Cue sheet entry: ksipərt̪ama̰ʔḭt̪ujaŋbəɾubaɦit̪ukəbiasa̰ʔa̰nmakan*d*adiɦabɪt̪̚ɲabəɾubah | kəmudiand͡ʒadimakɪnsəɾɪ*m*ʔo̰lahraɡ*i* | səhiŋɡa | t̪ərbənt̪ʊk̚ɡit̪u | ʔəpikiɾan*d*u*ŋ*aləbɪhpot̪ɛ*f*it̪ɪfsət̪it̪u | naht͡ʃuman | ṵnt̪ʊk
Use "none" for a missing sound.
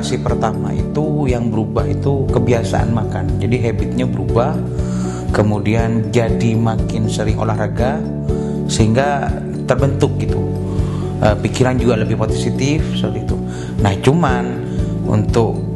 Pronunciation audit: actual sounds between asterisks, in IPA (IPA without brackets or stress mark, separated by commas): d͡ʒ, ŋ, a, d͡ʒ, ɡ, s